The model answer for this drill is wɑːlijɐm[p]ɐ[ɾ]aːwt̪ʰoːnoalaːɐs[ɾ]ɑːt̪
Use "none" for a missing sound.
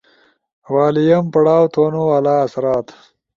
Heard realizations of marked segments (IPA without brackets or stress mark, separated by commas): p, ɽ, ɾ